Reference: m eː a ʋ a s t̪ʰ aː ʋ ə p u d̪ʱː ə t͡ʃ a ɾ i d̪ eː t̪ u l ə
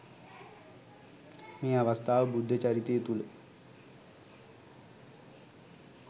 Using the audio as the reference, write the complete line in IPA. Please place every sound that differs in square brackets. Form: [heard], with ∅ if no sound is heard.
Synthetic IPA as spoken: m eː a ʋ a s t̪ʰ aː ʋ ə [b] u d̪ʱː ə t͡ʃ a ɾ i [t̪] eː t̪ u l ə